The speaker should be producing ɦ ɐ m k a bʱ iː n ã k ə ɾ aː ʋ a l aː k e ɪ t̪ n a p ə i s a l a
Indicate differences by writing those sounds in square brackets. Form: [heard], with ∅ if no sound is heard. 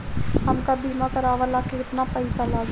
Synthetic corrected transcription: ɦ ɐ m k a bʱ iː [m] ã k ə ɾ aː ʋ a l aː k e ɪ t̪ n a p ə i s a l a